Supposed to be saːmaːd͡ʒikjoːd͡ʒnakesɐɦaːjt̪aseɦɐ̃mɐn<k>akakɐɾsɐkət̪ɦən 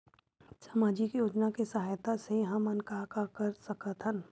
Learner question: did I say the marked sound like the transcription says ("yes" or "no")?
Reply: yes